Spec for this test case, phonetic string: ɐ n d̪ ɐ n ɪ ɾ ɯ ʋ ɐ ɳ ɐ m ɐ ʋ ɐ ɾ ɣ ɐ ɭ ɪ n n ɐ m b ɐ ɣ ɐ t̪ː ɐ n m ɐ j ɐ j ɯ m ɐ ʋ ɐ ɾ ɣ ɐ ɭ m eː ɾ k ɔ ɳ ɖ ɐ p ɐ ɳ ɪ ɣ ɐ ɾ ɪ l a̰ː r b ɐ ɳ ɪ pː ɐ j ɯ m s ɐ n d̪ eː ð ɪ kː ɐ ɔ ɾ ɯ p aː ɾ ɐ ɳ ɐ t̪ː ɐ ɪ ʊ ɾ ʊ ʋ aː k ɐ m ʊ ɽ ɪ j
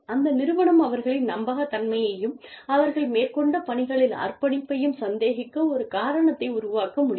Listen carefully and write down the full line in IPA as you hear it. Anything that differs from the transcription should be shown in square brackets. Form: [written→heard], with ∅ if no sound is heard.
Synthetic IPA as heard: ɐ n d̪ ɐ n ɪ ɾ ɯ ʋ ɐ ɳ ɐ m ɐ ʋ ɐ ɾ ɣ ɐ ɭ ɪ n n ɐ m b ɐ ɣ ɐ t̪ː ɐ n m ɐ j ɐ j ɯ m ɐ ʋ ɐ ɾ ɣ ɐ ɭ m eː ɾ k ɔ ɳ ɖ ɐ p ɐ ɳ ɪ ɣ ɐ [ɾ→ɭ] ɪ l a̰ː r [b→p] ɐ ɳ ɪ pː ɐ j ɯ m s ɐ n d̪ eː [ð→ɣ] ɪ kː ɐ ɔ ɾ ɯ [p→k] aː ɾ ɐ ɳ ɐ t̪ː ɐ ɪ ʊ ɾ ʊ ʋ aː k ɐ m ʊ ɽ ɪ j

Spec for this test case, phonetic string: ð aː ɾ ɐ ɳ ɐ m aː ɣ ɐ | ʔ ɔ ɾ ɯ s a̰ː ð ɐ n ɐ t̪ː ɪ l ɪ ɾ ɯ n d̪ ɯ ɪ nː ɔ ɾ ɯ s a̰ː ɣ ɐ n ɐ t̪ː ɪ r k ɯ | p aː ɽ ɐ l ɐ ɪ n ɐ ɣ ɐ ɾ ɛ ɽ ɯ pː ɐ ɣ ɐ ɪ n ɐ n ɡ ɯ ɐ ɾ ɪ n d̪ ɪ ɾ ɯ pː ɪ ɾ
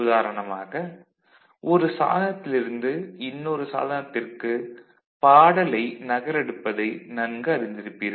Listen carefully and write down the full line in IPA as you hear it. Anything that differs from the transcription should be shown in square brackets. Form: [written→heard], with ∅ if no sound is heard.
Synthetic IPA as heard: ð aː ɾ ɐ ɳ ɐ m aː ɣ ɐ | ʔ ɔ ɾ ɯ s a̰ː ð ɐ n ɐ t̪ː ɪ l ɪ ɾ ɯ n d̪ ɯ ɪ nː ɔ ɾ ɯ s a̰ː [ɣ→ð] ɐ n ɐ t̪ː ɪ r k ɯ | p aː ɽ ɐ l ɐ ɪ n ɐ ɣ ɐ ɾ ɛ ɽ ɯ pː ɐ [ɣ→ð] ɐ ɪ n ɐ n ɡ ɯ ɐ ɾ ɪ n d̪ ɪ ɾ ɯ pː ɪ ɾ

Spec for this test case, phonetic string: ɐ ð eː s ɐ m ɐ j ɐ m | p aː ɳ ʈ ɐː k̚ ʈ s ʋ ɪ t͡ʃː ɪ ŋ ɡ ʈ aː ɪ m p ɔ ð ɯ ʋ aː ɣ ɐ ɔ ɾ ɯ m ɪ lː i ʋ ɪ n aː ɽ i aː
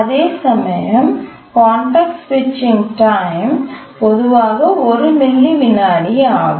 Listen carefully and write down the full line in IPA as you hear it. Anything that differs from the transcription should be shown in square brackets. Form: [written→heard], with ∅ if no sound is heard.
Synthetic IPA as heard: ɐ ð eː s ɐ m ɐ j ɐ m | [p→k] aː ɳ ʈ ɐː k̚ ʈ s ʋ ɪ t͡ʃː ɪ ŋ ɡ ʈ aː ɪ m p ɔ ð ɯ ʋ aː ɣ ɐ ɔ ɾ ɯ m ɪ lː i ʋ ɪ n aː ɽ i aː

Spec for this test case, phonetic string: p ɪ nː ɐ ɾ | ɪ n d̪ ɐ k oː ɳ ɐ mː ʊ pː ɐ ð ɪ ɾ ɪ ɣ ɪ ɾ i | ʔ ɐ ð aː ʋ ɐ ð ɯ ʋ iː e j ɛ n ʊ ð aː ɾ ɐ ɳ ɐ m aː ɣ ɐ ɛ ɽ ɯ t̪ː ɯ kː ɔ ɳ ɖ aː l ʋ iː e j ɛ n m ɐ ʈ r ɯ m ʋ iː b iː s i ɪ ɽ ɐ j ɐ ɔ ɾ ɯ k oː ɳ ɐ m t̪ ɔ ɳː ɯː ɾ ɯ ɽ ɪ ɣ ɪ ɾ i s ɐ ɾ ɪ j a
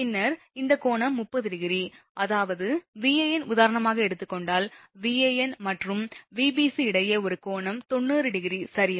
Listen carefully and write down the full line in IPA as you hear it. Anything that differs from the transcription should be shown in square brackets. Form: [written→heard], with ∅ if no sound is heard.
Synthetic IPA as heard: p ɪ nː ɐ ɾ | ɪ n d̪ ɐ k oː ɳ ɐ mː ʊ pː ɐ ð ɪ [ɾ→ɽ] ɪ ɣ ɪ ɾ i | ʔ ɐ ð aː ʋ ɐ ð ɯ ʋ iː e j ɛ n ʊ ð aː ɾ ɐ ɳ ɐ m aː ɣ ɐ ɛ ɽ ɯ t̪ː ɯ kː ɔ ɳ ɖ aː l ʋ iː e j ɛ n m ɐ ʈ r ɯ m ʋ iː b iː s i ɪ ɽ ɐ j ɐ ɔ ɾ ɯ k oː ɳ ɐ m t̪ ɔ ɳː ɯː ɾ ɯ ɽ ɪ ɣ ɪ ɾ i s ɐ ɾ ɪ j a

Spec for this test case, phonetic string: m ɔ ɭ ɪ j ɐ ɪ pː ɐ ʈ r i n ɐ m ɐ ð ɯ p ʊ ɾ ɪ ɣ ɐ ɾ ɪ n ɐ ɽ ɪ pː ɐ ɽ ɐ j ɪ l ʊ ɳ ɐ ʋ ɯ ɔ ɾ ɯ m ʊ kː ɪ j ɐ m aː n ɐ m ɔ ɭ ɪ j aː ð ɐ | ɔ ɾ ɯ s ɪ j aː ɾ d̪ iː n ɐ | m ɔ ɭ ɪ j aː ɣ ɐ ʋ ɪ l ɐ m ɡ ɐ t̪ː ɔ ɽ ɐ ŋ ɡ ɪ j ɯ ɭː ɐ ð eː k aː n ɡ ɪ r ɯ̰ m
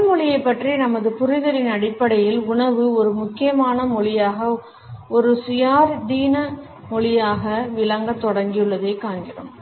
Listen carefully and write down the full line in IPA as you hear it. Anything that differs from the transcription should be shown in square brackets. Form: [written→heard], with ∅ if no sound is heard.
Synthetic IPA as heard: m ɔ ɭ ɪ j ɐ ɪ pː ɐ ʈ r i n ɐ m ɐ ð ɯ p ʊ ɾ ɪ [ɣ→ð] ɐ ɾ ɪ n ɐ ɽ ɪ pː ɐ ɽ ɐ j ɪ l ʊ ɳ ɐ ʋ ɯ ɔ ɾ ɯ m ʊ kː ɪ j ɐ m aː n ɐ m ɔ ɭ ɪ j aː [ð→ɣ] ɐ | ɔ ɾ ɯ s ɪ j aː ɾ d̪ iː n ɐ | m ɔ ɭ ɪ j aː ɣ ɐ ʋ ɪ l ɐ [m→ŋ] ɡ ɐ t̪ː ɔ ɽ ɐ ŋ ɡ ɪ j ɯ ɭː ɐ ð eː k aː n ɡ ɪ r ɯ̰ m

